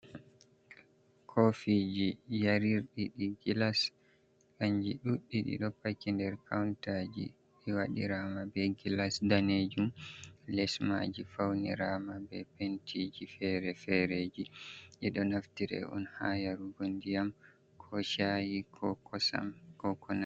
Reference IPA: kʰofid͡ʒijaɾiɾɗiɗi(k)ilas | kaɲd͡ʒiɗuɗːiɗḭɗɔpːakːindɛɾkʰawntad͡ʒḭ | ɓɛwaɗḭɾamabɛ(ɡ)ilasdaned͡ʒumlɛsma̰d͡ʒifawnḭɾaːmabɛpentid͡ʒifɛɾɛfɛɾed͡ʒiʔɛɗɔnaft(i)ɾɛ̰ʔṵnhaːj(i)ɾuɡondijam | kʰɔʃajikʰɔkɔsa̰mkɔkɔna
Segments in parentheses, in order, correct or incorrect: incorrect: ɡ, correct, correct, incorrect: a

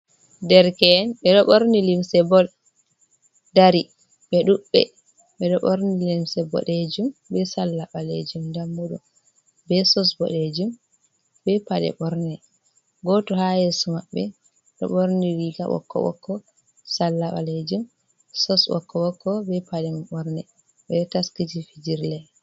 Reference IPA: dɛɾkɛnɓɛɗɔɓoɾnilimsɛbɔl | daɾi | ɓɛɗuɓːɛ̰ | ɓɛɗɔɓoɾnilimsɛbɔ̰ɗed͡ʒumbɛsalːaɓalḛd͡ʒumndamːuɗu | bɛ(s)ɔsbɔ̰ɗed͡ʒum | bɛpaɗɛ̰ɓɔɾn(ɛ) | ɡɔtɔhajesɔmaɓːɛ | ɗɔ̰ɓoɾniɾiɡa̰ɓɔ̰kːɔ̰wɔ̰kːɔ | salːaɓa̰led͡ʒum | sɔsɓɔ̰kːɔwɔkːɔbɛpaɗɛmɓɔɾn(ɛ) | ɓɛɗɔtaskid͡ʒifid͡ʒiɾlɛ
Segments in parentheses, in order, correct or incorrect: correct, correct, correct

